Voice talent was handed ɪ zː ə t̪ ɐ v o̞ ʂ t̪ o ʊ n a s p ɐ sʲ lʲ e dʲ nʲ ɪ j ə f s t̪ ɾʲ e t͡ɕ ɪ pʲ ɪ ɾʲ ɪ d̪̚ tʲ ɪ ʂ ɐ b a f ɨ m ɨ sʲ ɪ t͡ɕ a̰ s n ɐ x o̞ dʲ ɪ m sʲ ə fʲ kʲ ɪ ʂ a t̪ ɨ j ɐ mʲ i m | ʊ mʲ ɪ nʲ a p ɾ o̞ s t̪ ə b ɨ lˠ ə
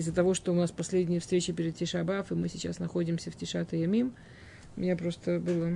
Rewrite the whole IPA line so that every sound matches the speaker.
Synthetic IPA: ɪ zː ə t̪ ɐ v o̞ ʂ t̪ o ʊ n a s p ɐ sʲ lʲ e dʲ nʲ ɪ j ə f s t̪ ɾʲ e t͡ɕ ɪ pʲ ɪ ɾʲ ɪ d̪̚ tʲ ɪ ʂ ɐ b a f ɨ m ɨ sʲ ɪ t͡ɕ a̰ s n ɐ x o̞ dʲ ɪ m sʲ ə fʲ tʲ ɪ ʂ a t̪ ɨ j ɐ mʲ i m | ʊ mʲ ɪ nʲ a p ɾ o̞ s t̪ ə b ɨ lˠ ə